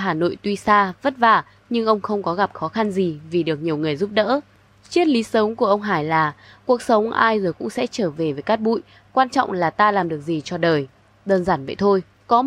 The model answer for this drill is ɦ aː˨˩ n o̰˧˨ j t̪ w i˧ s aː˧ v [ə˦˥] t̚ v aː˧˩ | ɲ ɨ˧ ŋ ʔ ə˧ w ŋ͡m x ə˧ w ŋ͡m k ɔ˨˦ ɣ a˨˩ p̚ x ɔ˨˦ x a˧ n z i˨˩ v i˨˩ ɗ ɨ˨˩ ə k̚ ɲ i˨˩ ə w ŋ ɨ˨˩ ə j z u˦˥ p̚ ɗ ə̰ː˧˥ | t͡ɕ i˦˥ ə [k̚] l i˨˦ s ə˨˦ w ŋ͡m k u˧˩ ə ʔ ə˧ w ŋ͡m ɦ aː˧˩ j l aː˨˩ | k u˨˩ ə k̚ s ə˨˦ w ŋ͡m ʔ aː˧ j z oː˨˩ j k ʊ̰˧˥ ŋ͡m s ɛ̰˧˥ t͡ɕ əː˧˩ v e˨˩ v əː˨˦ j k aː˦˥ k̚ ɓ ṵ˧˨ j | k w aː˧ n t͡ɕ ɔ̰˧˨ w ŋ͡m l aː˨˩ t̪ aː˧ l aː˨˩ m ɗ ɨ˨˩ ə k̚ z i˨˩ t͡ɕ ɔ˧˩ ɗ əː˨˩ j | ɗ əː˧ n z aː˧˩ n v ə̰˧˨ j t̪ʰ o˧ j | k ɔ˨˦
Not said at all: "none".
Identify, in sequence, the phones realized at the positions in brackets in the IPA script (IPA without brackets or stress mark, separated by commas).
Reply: ə˦˥, t̚